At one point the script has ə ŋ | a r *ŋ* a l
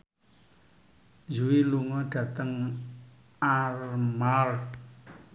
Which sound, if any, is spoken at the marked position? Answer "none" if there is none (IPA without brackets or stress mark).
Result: m